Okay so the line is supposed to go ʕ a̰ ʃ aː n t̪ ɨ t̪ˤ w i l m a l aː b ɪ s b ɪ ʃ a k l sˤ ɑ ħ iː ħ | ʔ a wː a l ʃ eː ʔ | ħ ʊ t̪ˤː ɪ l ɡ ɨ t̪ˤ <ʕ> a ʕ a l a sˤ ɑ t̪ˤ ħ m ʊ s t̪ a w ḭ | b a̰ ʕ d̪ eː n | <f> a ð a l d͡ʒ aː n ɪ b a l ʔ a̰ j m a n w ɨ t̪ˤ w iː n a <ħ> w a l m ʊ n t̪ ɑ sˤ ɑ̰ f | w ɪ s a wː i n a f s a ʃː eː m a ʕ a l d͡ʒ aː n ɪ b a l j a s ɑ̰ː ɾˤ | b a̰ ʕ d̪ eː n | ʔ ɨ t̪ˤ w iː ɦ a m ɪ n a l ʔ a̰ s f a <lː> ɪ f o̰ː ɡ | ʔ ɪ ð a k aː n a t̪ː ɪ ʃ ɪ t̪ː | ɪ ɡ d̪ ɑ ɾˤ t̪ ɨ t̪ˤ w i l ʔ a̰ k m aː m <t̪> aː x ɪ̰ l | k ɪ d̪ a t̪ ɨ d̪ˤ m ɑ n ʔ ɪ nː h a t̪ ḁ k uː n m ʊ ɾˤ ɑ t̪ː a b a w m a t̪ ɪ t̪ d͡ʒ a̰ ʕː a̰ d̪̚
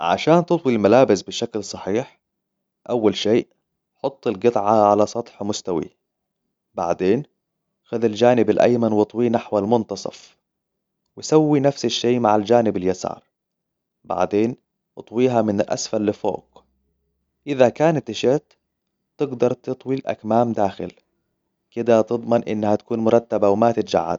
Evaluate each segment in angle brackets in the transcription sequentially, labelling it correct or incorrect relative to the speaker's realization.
correct, incorrect: x, correct, correct, incorrect: d̪

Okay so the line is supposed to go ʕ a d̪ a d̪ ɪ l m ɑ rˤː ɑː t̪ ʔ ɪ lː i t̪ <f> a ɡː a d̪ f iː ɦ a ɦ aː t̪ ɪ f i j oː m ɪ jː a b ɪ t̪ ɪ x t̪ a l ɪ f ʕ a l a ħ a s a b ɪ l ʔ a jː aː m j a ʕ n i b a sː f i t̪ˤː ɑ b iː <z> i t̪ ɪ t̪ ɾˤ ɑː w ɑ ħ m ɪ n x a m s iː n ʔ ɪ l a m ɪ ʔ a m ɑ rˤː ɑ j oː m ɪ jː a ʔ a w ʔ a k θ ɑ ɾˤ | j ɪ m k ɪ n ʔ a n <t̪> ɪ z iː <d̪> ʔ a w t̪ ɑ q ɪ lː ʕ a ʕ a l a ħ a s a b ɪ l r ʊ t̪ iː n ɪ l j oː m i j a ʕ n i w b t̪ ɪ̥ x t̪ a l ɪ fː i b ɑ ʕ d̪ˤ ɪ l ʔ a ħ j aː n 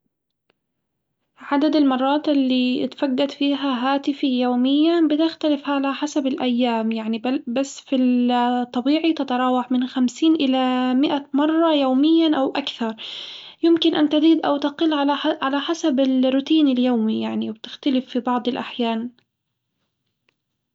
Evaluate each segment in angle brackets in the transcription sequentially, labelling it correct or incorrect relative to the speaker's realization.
correct, incorrect: ʕ, correct, correct

